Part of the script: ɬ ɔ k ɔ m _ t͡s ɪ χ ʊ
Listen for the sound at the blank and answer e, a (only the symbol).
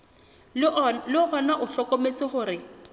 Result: e